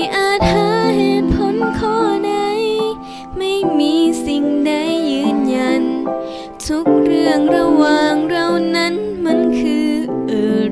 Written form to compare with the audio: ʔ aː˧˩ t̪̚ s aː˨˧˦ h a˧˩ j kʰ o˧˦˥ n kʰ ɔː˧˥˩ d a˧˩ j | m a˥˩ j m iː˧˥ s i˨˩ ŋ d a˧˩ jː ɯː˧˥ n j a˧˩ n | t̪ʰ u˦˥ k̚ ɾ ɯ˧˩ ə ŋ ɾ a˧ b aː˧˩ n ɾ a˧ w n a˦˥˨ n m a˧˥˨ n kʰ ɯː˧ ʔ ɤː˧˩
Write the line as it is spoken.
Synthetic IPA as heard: ʔ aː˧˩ t̪̚ h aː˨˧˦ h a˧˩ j pʰ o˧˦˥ n kʰ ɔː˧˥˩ d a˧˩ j | m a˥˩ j m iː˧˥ s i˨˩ ŋ d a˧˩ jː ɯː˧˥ n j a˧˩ n | t̪ʰ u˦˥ k̚ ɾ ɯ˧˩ ə ŋ ɾ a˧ w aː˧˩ ŋ ɾ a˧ w n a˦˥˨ n m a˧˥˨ n kʰ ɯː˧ ʔ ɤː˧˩